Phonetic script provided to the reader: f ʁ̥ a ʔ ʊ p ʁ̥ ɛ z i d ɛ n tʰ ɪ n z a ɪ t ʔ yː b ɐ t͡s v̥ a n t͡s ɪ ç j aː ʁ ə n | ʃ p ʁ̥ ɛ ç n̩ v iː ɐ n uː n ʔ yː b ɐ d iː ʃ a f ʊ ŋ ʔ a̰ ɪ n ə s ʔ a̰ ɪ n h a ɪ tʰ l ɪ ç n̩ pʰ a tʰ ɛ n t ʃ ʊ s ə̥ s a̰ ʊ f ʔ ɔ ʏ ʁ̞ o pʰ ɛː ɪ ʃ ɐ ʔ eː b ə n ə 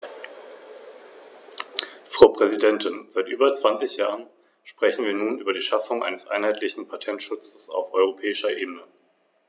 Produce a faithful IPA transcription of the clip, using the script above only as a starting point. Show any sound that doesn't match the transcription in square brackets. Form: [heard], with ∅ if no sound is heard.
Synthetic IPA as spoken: f ʁ̥ a [∅] ʊ p ʁ̥ ɛ z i d ɛ n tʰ ɪ n z a ɪ t ʔ yː b ɐ t͡s v̥ a n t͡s ɪ ç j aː ʁ ə n | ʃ p ʁ̥ ɛ ç n̩ v iː ɐ n uː n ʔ yː b ɐ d iː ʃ a f ʊ ŋ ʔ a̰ ɪ n ə s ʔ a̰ ɪ n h a ɪ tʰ l ɪ ç n̩ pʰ a tʰ ɛ n t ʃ ʊ [t͡s] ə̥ s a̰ ʊ f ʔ ɔ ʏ ʁ̞ o pʰ ɛː ɪ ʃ ɐ ʔ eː b ə n ə